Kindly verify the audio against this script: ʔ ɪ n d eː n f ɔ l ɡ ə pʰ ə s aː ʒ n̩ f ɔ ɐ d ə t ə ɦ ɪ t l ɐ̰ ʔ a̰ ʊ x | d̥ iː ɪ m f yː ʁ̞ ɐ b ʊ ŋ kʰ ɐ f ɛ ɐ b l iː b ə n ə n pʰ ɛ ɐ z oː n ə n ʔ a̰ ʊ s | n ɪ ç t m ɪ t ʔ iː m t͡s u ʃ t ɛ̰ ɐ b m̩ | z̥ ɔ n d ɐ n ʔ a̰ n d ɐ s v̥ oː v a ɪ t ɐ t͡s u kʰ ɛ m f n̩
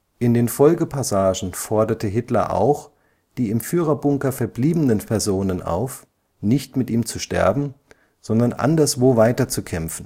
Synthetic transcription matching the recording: ʔ ɪ n d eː n f ɔ l ɡ ə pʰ a s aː ʒ n̩ f ɔ ɐ d ɐ t ə ɦ ɪ t l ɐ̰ ʔ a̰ ʊ x | d̥ iː ɪ m f yː ʁ̞ ɐ b ʊ ŋ k ɐ f ɛ ɐ b l iː b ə n ə n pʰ ɛ ɐ z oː n ə n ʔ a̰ ʊ f | n ɪ ç t m ɪ t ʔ iː m t͡s u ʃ t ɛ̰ ɐ b m̩ | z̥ ɔ n d ɐ n ʔ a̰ n d ɐ s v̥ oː v a ɪ t ɐ t͡s u kʰ ɛ m f n̩

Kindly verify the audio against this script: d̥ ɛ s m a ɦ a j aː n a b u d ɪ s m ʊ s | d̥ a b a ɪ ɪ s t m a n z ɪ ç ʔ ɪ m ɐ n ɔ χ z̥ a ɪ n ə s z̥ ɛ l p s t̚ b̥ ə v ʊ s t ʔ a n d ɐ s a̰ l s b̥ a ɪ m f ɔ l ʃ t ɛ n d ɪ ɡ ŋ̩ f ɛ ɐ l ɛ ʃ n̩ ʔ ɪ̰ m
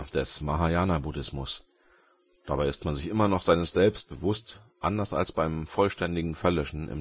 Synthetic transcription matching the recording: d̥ ɛ s m a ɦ a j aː n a b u d ɪ s m ʊ s | d̥ a b a ɪ ɪ s t m a n z ɪ ç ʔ ɪ m ɐ n ɔ χ z̥ a ɪ n ə s z̥ ɛ l p s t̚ b̥ ə v ʊ s t ʔ a n d ɐ s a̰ l s b̥ a ɪ m f ɔ l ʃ t ɛ n d ɪ ɡ ŋ̩ f ɛ ɐ l œ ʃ n̩ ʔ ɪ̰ m

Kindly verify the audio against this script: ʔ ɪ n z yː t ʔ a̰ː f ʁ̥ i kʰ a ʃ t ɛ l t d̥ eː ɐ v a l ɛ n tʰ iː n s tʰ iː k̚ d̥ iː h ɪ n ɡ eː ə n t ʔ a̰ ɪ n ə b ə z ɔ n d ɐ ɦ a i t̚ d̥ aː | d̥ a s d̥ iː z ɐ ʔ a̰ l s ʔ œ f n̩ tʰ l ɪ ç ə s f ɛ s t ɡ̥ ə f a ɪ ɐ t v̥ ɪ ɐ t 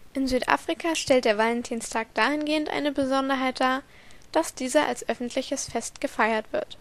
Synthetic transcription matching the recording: ʔ ɪ n z yː t ʔ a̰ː f ʁ̥ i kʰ a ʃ t ɛ l t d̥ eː ɐ v a l ɛ n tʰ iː n s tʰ aː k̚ d̥ aː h ɪ n ɡ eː ə n t ʔ a̰ ɪ n ə b ə z ɔ n d ɐ ɦ a ɪ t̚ d̥ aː | d̥ a s d̥ iː z ɐ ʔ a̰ l s ʔ œ f n̩ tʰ l ɪ ç ə s f ɛ s t ɡ̥ ə f a ɪ ɐ t v̥ ɪ ɐ t

